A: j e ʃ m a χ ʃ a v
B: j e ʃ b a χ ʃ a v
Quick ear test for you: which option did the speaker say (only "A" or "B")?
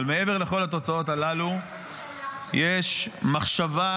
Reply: A